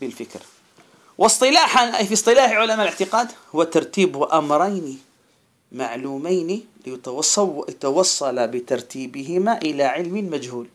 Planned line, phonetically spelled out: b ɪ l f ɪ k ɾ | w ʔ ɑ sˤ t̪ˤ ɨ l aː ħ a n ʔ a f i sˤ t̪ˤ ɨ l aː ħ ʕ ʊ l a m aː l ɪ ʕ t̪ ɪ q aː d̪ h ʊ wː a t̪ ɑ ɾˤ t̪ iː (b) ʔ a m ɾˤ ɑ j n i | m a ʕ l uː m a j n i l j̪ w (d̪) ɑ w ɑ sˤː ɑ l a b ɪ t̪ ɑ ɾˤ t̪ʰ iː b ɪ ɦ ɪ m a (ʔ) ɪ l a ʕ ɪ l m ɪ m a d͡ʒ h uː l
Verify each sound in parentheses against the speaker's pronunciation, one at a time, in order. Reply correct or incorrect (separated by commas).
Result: correct, incorrect, correct